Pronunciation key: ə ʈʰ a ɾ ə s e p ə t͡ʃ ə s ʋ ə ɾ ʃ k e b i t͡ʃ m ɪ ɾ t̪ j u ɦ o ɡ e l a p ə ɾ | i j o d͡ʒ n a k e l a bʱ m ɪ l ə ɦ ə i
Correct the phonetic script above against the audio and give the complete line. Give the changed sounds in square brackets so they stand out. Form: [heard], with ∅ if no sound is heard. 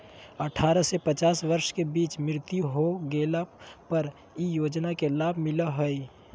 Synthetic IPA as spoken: ə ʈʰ a ɾ ə s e p ə t͡ʃ [a] s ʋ ə ɾ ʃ k e b i t͡ʃ m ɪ ɾ t̪ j u ɦ o ɡ e l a p ə ɾ | i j o d͡ʒ n a k e l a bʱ m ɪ l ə ɦ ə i